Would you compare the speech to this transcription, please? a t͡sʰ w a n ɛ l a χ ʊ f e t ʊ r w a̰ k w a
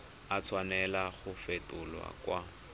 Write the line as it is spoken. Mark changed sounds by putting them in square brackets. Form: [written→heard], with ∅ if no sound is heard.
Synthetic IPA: a t͡sʰ w a n ɛ l a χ ʊ f e t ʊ [r→l] w a̰ k w a